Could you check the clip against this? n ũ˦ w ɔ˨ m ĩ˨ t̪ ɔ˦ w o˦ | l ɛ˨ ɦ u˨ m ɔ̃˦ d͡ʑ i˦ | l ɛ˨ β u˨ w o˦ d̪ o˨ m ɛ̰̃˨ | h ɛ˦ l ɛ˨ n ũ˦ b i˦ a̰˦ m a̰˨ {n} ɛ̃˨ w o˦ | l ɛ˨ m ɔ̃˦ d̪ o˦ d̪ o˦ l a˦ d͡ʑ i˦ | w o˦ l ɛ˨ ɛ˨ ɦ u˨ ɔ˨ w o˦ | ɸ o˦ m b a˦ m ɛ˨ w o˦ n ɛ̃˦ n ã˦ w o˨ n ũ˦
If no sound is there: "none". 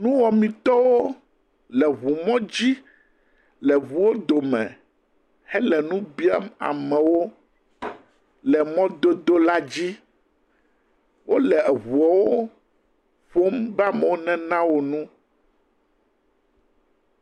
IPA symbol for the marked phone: m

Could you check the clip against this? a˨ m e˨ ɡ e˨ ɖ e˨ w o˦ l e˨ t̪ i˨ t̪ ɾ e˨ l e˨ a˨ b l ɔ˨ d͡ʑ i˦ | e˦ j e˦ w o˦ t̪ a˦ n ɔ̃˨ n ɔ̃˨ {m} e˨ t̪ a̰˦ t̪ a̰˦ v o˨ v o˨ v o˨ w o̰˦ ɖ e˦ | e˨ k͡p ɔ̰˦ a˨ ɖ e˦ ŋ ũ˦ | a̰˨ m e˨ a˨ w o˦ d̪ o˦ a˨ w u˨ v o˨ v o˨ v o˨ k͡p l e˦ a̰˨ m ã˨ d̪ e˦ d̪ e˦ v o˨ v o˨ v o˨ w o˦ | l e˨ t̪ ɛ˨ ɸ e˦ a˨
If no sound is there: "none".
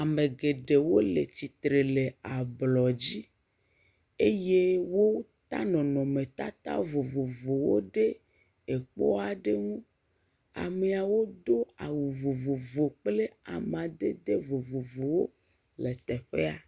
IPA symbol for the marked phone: m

